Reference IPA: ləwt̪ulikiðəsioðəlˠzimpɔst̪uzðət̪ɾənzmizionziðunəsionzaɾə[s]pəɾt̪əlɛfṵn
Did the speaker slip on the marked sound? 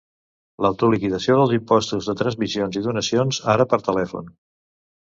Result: yes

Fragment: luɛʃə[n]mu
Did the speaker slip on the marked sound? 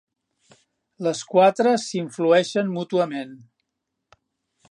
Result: no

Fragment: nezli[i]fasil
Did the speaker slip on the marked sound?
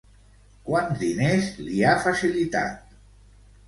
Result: yes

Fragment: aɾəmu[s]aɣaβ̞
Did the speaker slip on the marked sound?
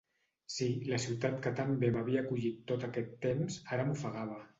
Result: yes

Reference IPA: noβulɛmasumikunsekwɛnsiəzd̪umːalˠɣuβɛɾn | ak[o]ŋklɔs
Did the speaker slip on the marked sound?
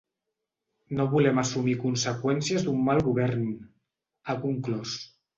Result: yes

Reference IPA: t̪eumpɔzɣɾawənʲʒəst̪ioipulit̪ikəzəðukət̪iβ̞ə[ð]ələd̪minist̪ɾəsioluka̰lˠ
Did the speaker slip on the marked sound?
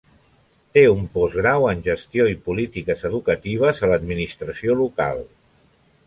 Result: yes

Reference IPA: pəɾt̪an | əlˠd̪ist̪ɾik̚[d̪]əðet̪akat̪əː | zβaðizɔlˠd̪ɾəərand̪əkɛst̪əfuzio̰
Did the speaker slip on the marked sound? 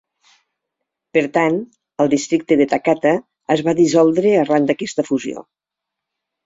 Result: yes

